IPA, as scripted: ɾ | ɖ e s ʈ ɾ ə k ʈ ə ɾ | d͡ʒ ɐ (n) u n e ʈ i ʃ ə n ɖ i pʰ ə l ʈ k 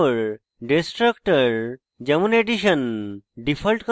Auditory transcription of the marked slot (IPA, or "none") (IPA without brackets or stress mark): m